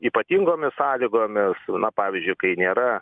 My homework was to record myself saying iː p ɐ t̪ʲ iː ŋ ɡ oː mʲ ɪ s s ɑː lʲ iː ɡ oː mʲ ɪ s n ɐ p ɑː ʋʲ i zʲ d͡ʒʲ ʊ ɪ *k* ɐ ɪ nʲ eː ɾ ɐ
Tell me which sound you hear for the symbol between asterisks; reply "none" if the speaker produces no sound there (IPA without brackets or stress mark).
k